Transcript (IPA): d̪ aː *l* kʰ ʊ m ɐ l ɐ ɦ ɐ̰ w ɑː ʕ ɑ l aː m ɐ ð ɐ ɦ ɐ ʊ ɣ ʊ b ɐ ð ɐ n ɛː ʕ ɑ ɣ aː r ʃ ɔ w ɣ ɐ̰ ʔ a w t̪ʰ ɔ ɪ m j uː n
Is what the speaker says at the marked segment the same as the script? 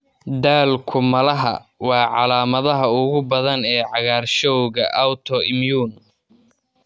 yes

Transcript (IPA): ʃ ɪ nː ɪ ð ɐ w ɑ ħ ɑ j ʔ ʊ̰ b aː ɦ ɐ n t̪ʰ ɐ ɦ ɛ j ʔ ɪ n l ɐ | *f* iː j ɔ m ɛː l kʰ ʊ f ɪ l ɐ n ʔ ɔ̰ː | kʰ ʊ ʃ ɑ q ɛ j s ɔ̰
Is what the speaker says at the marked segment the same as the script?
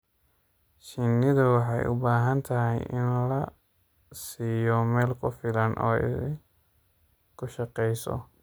no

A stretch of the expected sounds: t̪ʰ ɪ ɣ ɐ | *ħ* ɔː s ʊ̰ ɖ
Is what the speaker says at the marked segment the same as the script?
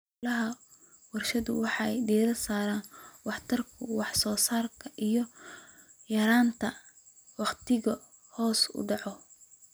no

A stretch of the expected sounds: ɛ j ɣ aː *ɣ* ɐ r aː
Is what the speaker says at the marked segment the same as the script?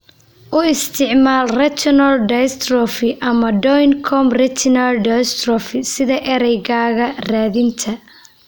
yes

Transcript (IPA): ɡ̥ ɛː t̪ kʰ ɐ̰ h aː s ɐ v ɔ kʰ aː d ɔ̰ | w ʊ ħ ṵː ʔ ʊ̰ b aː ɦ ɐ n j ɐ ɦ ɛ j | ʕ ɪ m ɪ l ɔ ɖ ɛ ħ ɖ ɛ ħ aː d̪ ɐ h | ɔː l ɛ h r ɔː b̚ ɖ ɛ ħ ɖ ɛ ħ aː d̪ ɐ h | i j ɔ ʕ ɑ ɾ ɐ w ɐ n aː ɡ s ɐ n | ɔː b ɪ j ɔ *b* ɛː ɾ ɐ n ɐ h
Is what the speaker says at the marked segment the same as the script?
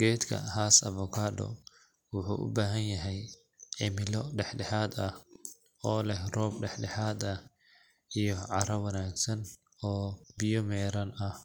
no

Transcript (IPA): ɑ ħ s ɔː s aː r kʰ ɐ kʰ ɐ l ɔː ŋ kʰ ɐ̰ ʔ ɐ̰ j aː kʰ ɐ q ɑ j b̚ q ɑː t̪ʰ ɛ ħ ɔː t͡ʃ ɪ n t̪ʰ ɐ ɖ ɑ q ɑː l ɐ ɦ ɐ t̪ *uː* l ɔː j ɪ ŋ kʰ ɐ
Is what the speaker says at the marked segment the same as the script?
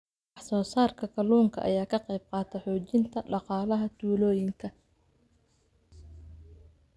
yes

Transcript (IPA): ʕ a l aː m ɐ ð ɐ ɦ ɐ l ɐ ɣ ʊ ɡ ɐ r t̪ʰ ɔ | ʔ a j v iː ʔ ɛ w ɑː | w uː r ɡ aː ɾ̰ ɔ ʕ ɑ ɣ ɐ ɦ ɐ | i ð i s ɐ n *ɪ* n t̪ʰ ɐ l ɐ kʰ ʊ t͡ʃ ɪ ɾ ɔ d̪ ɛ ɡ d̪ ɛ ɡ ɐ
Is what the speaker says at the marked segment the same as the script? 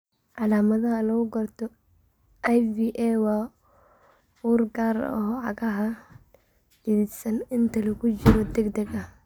yes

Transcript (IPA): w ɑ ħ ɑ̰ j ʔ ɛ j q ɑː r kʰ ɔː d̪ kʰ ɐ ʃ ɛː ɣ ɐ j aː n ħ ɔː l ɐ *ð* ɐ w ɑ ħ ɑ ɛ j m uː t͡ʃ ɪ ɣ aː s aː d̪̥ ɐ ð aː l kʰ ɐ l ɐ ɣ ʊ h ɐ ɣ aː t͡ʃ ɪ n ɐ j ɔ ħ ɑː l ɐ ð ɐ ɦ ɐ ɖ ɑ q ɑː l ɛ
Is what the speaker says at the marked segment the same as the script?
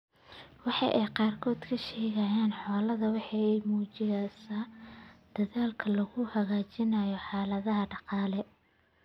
yes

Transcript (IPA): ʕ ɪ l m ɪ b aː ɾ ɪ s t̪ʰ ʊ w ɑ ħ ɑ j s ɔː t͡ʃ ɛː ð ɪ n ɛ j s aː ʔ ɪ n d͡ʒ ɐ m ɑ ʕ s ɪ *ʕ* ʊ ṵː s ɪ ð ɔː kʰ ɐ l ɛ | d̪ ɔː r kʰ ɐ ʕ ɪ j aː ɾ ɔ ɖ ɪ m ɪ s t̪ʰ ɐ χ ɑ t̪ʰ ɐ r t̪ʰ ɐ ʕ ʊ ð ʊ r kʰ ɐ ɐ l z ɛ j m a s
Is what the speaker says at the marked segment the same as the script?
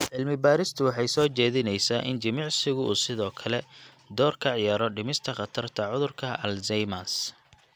no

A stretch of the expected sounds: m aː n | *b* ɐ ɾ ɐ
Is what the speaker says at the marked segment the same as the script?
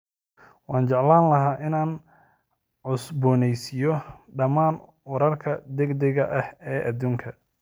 no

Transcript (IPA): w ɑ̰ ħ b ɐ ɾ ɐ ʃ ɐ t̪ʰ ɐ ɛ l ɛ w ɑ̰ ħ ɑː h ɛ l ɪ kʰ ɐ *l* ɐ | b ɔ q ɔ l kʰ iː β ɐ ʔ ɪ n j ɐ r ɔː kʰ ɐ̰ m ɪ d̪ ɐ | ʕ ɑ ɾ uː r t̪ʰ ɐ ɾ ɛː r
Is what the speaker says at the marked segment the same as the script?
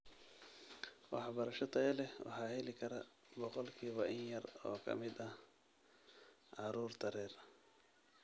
no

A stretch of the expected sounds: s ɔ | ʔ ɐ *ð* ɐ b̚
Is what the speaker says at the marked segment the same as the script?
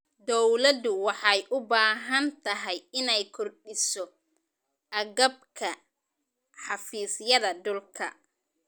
no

